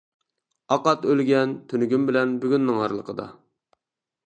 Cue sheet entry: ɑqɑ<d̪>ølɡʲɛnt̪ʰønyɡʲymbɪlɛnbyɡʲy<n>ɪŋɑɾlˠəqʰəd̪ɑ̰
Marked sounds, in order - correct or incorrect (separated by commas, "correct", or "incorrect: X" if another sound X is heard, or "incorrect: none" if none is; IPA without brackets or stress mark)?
incorrect: t̪, incorrect: nː